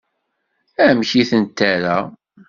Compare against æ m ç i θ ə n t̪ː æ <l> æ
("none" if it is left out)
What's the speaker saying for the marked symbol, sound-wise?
ɾ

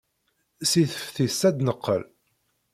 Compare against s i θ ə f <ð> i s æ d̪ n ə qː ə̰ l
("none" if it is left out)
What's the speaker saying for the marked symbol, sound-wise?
θ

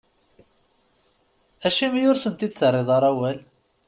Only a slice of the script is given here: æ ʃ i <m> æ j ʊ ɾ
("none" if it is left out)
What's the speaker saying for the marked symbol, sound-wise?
m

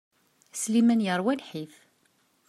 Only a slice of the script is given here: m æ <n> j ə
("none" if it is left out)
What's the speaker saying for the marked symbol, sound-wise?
n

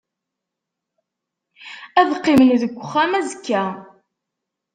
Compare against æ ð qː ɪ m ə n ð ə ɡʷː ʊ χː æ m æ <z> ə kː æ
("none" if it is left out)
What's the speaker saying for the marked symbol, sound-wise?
z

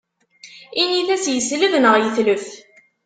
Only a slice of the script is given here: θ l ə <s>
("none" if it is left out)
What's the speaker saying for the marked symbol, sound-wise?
f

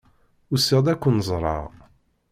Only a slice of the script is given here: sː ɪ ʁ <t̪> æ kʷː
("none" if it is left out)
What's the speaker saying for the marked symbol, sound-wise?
d̪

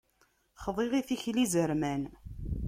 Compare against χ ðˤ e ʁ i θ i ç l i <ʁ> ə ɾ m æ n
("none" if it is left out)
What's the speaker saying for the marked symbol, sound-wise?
z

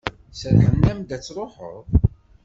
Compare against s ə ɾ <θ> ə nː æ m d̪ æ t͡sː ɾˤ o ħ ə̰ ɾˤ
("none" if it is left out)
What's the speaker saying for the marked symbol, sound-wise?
ħ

